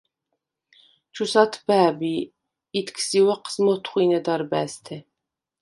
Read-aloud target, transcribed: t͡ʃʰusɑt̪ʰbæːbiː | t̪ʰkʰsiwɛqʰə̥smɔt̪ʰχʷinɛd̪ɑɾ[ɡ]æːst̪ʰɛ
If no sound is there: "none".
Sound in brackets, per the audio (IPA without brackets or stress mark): b